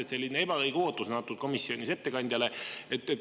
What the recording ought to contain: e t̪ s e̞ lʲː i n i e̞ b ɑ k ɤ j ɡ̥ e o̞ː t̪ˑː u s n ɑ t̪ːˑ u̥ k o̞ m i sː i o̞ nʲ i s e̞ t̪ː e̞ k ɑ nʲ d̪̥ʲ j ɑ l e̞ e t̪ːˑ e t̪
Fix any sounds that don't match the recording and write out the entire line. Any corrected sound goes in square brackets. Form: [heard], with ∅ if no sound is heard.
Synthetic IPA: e t̪ s e̞ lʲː i n [e] e̞ b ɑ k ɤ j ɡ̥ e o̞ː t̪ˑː u s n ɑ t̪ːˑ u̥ k o̞ m i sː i o̞ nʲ i s e̞ t̪ː e̞ k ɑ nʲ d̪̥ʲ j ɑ l e̞ e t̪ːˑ e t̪